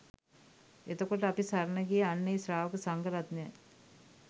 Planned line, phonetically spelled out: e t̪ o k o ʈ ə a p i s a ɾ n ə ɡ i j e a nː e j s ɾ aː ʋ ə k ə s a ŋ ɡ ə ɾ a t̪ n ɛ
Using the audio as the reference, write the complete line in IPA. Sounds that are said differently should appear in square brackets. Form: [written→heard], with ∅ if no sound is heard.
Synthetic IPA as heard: e t̪ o k o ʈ ə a p i s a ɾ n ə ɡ i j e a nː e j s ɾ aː ʋ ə k ə s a ŋ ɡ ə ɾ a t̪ n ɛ